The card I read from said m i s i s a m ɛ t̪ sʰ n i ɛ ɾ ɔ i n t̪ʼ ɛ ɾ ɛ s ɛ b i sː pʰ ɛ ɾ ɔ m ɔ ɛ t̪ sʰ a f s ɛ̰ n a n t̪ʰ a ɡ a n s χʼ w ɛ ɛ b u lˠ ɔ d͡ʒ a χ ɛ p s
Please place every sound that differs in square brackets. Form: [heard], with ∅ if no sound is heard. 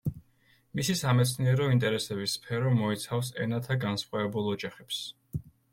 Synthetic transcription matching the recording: m i s i s a m ɛ t̪ sʰ n i ɛ ɾ ɔ i n t̪ʼ ɛ ɾ ɛ s ɛ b i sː pʰ ɛ ɾ ɔ m ɔ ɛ t̪ sʰ a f s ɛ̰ n a [∅] t̪ʰ a ɡ a n s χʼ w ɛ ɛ b u lˠ ɔ d͡ʒ a χ ɛ p s